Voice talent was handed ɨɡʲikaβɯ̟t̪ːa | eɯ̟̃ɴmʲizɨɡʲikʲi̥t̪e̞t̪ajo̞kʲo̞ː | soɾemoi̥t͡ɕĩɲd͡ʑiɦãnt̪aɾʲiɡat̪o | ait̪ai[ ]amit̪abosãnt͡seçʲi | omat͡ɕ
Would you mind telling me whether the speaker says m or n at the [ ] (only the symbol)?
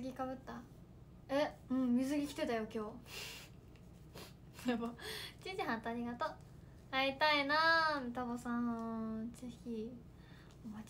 n